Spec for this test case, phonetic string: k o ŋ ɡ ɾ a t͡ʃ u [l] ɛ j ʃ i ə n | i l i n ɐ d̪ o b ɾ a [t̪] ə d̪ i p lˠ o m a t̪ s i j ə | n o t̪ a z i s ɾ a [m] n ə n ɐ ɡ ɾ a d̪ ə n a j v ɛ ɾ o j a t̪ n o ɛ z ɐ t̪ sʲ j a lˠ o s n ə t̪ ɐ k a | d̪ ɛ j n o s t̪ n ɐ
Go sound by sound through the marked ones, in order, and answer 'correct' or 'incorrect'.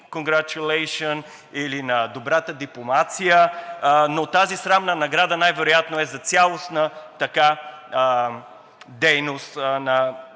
correct, correct, correct

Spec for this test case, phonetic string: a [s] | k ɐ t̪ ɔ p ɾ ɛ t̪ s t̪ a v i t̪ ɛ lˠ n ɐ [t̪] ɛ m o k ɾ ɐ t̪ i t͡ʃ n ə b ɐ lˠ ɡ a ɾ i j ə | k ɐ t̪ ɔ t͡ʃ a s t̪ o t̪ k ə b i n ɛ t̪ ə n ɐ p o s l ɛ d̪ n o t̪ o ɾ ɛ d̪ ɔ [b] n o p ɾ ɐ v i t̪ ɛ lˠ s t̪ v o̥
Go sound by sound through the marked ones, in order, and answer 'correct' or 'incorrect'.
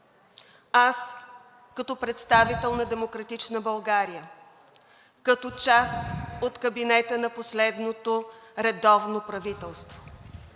correct, incorrect: d̪, incorrect: v

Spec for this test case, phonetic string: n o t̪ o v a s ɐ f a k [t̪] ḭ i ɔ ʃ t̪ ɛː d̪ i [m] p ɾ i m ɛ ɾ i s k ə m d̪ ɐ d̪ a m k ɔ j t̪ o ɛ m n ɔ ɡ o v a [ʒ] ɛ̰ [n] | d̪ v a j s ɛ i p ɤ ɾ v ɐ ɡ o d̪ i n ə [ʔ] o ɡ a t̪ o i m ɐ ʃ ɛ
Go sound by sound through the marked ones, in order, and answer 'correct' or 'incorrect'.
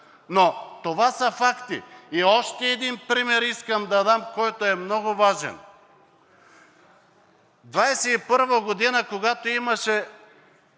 correct, incorrect: n, correct, correct, incorrect: k

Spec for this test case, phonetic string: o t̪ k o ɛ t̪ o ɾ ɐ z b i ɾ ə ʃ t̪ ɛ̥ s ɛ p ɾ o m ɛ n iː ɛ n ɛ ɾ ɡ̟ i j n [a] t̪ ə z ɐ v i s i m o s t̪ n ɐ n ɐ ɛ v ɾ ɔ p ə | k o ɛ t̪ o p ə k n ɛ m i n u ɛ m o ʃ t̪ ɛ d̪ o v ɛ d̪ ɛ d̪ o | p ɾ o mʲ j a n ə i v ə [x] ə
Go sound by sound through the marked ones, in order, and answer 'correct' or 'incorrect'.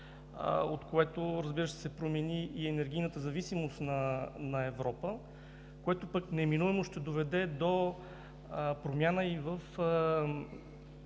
incorrect: ə, incorrect: f

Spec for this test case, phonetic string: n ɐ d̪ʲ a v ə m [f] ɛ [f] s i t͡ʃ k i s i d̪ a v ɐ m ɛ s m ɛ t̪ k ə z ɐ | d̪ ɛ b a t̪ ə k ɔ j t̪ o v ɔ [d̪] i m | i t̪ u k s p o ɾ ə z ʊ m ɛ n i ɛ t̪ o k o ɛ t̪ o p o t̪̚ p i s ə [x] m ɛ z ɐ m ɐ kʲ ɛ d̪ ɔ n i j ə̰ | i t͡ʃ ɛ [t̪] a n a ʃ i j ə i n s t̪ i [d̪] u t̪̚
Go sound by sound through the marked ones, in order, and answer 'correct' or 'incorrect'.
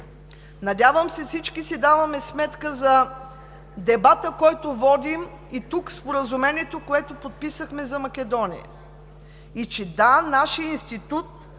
incorrect: s, correct, correct, correct, incorrect: d̪, incorrect: t̪

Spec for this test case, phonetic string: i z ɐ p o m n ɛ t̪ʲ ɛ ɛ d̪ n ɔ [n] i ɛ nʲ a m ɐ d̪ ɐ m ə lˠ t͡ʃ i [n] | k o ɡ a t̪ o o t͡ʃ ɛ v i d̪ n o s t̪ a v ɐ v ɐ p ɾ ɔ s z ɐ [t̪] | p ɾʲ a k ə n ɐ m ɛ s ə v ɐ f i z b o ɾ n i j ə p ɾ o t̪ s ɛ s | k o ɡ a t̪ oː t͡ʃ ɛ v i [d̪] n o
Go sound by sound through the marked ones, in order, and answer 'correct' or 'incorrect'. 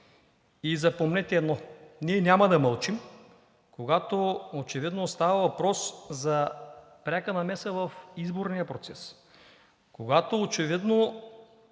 correct, incorrect: m, incorrect: none, correct

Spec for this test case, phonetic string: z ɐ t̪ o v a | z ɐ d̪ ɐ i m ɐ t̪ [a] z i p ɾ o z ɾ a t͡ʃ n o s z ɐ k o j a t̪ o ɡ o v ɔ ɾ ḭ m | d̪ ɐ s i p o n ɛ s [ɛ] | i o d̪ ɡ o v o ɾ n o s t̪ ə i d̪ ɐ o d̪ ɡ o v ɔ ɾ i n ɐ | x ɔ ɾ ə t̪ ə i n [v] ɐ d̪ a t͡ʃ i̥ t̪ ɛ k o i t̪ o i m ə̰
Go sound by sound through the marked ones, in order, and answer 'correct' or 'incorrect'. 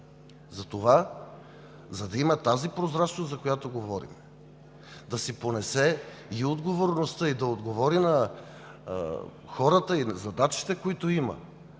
correct, correct, incorrect: z

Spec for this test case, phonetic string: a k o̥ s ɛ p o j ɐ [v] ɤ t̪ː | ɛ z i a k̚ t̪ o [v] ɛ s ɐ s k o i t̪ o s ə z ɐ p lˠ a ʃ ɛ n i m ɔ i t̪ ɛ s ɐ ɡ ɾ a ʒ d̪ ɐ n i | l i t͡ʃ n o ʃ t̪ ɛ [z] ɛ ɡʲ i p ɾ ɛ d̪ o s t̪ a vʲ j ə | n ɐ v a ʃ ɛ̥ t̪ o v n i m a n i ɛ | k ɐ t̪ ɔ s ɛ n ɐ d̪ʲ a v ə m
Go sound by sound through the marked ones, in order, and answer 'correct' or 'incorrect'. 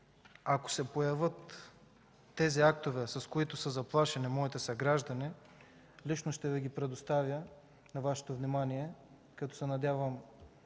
correct, correct, incorrect: v

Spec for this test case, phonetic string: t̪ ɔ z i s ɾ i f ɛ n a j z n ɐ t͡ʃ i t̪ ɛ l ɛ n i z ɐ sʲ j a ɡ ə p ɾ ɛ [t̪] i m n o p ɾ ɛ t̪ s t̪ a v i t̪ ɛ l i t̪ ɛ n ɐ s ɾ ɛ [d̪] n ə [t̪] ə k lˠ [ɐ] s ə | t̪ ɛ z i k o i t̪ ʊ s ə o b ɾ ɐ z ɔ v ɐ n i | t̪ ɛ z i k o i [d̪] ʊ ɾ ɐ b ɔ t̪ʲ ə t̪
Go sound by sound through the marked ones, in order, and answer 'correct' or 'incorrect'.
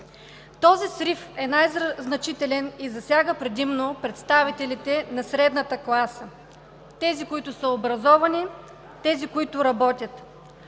incorrect: d̪, correct, correct, incorrect: a, incorrect: t̪

